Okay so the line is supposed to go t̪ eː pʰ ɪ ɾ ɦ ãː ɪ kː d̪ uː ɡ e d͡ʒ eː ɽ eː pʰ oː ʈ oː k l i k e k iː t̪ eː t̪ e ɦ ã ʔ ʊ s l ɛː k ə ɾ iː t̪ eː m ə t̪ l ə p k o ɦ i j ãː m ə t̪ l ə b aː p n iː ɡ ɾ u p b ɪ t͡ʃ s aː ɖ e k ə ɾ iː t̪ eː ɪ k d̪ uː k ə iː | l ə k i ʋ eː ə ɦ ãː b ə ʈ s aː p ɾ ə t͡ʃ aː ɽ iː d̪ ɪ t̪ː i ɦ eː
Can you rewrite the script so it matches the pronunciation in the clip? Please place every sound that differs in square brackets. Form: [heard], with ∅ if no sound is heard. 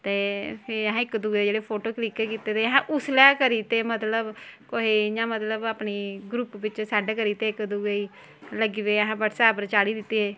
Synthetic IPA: t̪ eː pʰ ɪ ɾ ɦ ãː ɪ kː d̪ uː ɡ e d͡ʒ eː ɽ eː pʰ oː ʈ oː k l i k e k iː t̪ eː t̪ e ɦ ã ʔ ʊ s l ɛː k ə ɾ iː t̪ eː m ə t̪ l ə [b] k o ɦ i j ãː m ə t̪ l ə b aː p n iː ɡ ɾ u p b ɪ t͡ʃ s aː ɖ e k ə ɾ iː t̪ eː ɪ k d̪ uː [ɡ] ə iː | l ə [ɡ] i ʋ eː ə ɦ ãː b ə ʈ s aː p ɾ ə t͡ʃ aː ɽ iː d̪ ɪ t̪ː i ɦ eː